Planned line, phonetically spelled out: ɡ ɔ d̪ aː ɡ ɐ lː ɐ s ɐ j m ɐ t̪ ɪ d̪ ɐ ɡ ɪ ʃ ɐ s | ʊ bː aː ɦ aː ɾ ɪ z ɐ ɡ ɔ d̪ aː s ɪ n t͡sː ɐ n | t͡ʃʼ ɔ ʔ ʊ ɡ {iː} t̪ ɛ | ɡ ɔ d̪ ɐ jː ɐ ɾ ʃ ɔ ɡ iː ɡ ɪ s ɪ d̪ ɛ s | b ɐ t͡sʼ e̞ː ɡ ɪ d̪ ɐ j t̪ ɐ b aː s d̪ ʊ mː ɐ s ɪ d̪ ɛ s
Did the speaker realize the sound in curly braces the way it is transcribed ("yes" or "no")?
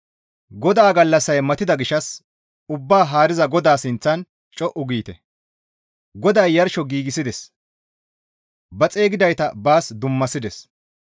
yes